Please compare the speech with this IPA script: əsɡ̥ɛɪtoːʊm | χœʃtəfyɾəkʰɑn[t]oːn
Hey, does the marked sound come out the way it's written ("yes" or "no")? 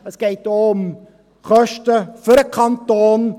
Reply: yes